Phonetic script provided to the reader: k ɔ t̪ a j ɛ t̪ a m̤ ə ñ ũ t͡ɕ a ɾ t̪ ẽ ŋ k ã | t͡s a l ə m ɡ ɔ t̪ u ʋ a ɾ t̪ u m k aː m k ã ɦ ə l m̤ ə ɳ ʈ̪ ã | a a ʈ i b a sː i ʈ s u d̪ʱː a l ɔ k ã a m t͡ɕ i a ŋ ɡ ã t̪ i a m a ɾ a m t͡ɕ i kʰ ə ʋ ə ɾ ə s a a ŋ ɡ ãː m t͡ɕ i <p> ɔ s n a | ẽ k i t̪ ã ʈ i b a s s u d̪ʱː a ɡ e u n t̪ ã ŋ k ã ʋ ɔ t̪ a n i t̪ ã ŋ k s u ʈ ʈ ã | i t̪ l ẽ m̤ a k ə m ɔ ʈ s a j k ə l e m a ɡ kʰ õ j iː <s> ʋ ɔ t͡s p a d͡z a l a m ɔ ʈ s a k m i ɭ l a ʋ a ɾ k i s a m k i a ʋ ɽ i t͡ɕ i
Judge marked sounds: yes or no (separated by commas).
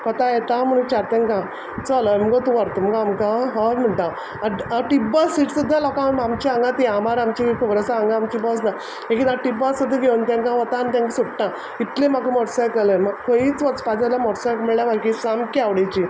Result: no, no